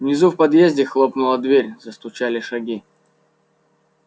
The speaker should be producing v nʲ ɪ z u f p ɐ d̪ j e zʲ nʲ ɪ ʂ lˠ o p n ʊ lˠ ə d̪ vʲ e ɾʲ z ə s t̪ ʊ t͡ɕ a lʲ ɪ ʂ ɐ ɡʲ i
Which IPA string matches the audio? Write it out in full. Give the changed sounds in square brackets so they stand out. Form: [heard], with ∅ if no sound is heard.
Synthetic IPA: v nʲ ɪ z u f p ɐ d̪ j e zʲ [dʲ] ɪ [x] lˠ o p n ʊ lˠ ə d̪ vʲ e ɾʲ z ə s t̪ ʊ t͡ɕ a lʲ ɪ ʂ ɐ ɡʲ i